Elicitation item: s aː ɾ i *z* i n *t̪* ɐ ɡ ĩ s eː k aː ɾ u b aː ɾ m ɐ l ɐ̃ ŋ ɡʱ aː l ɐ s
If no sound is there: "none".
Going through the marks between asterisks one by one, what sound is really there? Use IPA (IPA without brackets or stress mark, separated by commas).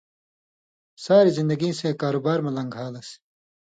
z, d̪